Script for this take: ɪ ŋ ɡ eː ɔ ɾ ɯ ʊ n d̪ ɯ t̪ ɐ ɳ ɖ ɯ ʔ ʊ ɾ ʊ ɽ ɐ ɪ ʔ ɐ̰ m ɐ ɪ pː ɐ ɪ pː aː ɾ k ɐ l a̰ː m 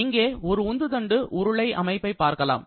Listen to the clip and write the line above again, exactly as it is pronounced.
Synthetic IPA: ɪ ŋ ɡ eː ɔ ɾ ɯ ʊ n d̪ ɯ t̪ ɐ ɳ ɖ ɯ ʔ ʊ ɾ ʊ ɭ ɐ ɪ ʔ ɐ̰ m ɐ ɪ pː ɐ ɪ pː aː ɾ k ɐ l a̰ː m

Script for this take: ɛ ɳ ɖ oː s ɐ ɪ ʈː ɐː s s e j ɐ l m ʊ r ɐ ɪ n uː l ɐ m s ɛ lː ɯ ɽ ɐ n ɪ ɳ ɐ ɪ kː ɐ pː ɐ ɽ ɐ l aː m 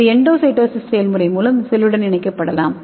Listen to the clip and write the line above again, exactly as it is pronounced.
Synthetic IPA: ɛ ɳ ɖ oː s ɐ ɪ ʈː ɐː s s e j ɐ l m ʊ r ɐ ɪ m uː l ɐ m s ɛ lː ɯ ɽ ɐ n ɪ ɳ ɐ ɪ kː ɐ pː ɐ ɽ ɐ l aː m

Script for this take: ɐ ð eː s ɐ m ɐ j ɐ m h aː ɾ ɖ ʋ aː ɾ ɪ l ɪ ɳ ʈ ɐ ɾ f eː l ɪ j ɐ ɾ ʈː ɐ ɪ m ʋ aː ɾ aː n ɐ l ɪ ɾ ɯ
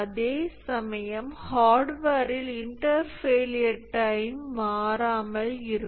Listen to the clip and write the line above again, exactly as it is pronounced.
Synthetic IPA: ɐ ð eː s ɐ m ɐ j ɐ m h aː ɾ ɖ ʋ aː ɾ ɪ l ɪ ɳ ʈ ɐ ɾ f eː l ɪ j ɐ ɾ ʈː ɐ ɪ m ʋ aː ɾ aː m ɐ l ɪ ɾ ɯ

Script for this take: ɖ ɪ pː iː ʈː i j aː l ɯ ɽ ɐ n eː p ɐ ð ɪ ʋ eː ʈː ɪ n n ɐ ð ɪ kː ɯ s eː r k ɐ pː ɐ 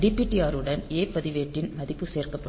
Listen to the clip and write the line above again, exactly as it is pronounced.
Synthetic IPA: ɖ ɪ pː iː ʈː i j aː ɾ ɯ ɽ ɐ n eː p ɐ ð ɪ ʋ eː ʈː ɪ n m ɐ ð ɪ pː ɯ s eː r k ɐ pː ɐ

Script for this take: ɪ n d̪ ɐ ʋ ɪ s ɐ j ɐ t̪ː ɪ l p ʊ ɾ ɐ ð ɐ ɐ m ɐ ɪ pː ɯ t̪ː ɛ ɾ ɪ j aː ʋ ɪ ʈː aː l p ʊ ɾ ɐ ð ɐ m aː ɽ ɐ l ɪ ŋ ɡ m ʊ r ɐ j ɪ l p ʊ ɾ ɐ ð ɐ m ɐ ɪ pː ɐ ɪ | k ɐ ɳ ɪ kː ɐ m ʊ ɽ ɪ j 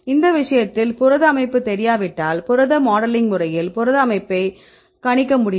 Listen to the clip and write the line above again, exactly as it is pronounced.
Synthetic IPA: ɪ n d̪ ɐ ʋ ɪ ʂ ɐ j ɐ t̪ː ɪ l p ʊ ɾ ɐ ð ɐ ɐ m ɐ ɪ pː ɯ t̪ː ɛ ɾ ɪ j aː ʋ ɪ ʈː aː l p ʊ ɾ ɐ ð ɐ m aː ɽ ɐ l ɪ ŋ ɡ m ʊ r ɐ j ɪ l p ʊ ɾ ɐ ð ɐ m ɐ ɪ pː ɐ ɪ | k ɐ ɳ ɪ kː ɐ m ʊ ɽ ɪ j

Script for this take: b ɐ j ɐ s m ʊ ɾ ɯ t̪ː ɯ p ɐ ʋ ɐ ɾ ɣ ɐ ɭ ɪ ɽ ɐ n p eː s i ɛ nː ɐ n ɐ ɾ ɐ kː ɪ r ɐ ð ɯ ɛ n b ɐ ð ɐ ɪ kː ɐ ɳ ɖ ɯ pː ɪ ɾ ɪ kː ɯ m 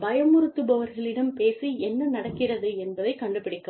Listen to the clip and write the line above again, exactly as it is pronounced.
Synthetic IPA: b ɐ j ɐ m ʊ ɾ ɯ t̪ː ɯ b ɐ ʋ ɐ ɾ ɣ ɐ ɭ ɪ ɽ ɐ m p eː s i ɛ nː ɐ n ɐ ɽ ɐ kː ɪ r ɐ ð ɯ ɛ n b ɐ ð ɐ ɪ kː ɐ ɳ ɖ ɯ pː ɪ ɽ ɪ kː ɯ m

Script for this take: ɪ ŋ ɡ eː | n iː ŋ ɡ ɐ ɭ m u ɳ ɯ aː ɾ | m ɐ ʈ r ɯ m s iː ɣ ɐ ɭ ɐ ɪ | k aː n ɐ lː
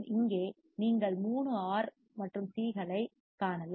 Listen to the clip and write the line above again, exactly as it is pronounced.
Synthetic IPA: ɪ ŋ ɡ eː | n iː ŋ ɡ ɐ ɭ m uː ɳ ɯ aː ɾ | m ɐ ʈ r ɯ m s iː ɣ ɐ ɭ ɐ ɪ | k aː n ɐ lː

